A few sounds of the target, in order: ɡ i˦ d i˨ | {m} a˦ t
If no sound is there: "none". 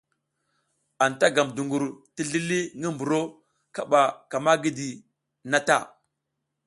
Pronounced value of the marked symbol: n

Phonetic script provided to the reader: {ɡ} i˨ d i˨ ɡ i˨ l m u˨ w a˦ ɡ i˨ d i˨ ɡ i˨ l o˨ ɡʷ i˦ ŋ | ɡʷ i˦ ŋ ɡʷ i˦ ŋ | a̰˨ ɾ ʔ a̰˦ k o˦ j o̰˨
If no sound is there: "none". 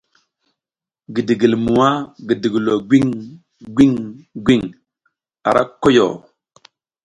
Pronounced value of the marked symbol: ɡ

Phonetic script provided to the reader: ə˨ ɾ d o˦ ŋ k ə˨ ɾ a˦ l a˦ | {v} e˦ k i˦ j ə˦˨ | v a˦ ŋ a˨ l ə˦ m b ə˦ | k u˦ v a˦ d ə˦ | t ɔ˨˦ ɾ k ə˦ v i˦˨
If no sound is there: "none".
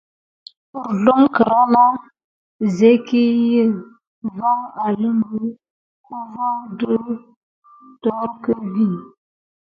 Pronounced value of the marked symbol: z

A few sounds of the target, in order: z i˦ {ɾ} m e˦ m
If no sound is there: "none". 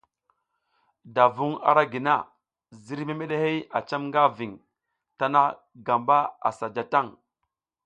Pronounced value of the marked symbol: ɾ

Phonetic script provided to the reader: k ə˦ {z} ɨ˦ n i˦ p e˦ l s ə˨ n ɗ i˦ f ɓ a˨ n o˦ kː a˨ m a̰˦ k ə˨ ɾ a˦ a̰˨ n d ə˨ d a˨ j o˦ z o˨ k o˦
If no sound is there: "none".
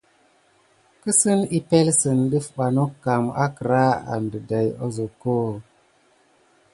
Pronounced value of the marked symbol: s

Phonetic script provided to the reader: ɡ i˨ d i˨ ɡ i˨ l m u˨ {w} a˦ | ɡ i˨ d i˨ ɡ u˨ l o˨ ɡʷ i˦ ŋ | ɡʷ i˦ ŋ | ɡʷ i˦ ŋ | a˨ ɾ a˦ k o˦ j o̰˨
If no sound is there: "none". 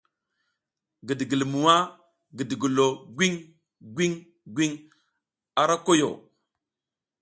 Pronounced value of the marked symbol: w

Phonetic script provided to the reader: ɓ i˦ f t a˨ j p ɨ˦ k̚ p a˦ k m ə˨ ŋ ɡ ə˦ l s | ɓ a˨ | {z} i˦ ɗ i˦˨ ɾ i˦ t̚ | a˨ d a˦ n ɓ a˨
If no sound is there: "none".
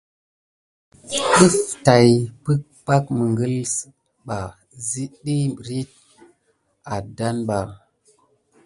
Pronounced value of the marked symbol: z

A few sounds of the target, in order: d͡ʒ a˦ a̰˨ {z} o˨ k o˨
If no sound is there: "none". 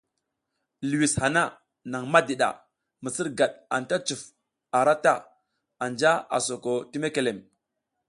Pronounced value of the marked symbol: s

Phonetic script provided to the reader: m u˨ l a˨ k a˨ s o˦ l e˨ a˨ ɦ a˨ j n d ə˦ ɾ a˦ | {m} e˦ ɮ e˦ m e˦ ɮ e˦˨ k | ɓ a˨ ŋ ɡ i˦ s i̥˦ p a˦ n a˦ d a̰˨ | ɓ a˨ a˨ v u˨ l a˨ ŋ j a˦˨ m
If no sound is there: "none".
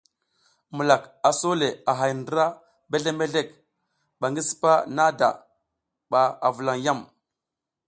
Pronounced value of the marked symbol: b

